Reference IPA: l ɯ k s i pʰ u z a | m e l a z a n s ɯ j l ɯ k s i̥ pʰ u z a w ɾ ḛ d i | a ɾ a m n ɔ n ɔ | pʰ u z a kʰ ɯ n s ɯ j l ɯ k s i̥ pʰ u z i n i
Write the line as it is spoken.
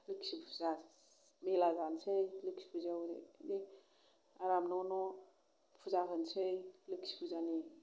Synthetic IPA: l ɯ k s i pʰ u z a | m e l a z a n s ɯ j l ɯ k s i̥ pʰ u z a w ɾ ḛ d i | a ɾ a m n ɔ n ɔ | pʰ u z a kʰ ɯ n s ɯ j l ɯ k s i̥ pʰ u z a n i